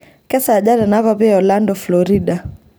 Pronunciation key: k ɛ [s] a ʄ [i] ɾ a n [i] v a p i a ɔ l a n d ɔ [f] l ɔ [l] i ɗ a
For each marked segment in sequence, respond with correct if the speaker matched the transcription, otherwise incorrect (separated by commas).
correct, incorrect, incorrect, correct, incorrect